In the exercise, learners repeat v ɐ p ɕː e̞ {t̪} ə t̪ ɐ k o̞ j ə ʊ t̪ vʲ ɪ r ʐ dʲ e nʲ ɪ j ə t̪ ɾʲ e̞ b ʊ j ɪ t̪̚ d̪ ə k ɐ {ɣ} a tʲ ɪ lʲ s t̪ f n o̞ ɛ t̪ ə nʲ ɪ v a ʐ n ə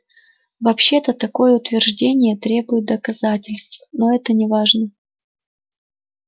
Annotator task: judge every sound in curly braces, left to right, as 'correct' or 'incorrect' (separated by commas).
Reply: correct, incorrect